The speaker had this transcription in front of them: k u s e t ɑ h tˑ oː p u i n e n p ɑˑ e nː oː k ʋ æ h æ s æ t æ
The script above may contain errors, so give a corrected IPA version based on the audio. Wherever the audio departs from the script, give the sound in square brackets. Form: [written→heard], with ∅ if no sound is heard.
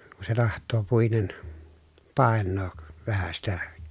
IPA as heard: k u s e t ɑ h tˑ oː p u i n e n p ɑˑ e nː oː k ʋ æ h æ s [æ→i] t æ